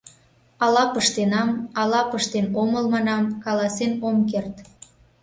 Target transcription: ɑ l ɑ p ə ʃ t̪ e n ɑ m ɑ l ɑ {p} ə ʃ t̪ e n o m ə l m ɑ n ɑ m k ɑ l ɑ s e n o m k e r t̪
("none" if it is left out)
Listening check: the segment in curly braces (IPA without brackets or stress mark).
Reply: p